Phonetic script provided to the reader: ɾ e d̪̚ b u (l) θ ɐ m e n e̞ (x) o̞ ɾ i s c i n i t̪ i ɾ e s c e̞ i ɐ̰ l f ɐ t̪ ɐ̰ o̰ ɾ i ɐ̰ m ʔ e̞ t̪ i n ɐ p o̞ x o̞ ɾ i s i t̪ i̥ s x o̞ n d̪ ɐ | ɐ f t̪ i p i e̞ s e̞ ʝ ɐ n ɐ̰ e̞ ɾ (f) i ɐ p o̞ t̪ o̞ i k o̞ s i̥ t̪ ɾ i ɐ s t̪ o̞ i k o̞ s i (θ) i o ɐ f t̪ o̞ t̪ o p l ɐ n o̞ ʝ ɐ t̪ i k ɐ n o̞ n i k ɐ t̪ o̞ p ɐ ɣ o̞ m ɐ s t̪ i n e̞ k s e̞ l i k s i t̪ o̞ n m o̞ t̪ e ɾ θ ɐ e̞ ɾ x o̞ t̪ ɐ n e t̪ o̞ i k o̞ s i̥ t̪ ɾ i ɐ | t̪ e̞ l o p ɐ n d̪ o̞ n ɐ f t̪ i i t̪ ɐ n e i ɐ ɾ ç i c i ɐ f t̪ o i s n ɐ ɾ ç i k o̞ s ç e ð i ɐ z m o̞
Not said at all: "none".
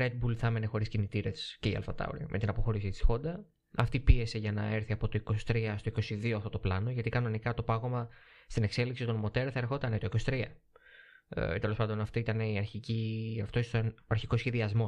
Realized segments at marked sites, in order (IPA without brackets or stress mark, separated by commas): l, x, θ, ð